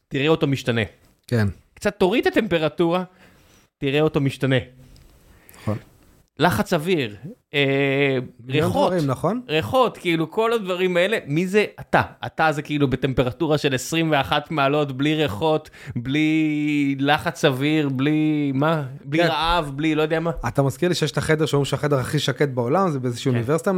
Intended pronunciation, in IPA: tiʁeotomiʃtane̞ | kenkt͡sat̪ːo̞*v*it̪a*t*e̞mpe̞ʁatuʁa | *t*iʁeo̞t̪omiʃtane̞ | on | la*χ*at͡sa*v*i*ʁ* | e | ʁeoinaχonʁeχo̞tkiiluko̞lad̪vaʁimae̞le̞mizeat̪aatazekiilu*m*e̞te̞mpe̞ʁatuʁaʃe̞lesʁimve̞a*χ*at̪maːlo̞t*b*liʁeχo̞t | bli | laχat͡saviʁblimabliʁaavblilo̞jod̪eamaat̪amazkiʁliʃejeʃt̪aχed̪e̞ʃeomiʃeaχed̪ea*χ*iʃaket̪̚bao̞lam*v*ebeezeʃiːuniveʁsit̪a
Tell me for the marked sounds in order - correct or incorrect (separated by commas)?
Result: incorrect, correct, correct, correct, correct, correct, incorrect, correct, correct, correct, incorrect